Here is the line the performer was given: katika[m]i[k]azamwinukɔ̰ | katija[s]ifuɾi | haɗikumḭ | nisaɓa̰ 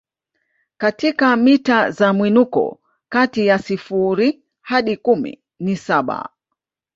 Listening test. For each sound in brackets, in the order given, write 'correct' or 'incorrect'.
correct, incorrect, correct

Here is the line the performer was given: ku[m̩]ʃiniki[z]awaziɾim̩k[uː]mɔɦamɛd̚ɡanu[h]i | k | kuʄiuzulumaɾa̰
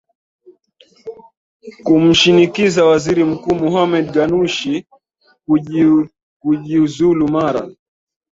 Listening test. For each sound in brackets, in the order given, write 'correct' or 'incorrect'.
correct, correct, correct, incorrect

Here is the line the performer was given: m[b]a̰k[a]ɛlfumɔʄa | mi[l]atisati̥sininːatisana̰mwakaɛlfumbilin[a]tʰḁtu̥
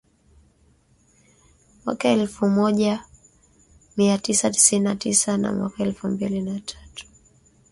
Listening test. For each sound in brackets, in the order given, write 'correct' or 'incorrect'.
incorrect, correct, incorrect, correct

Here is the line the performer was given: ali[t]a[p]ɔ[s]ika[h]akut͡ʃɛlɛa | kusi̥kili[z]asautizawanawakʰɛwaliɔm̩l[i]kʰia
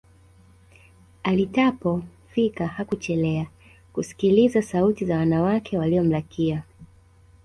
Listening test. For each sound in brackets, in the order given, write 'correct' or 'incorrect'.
correct, correct, incorrect, correct, correct, incorrect

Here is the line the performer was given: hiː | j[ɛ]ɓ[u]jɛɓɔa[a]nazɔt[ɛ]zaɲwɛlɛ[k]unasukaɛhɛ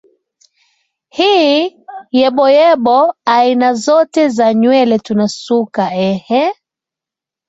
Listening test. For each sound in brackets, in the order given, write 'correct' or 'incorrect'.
correct, incorrect, incorrect, correct, incorrect

